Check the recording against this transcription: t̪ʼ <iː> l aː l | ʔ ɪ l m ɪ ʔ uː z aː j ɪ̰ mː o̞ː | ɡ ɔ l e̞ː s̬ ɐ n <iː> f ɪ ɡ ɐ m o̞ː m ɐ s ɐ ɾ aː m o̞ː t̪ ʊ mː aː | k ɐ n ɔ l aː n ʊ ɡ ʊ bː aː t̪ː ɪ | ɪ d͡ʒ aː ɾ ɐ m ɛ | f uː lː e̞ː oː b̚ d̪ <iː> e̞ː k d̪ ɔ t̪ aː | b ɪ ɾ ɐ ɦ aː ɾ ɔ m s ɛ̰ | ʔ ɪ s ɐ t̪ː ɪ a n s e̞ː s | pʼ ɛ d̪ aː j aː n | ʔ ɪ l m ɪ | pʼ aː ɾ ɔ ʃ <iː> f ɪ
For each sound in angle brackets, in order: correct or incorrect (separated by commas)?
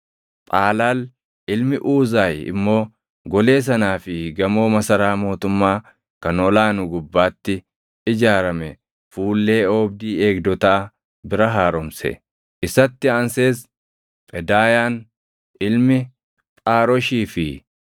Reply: incorrect, incorrect, correct, correct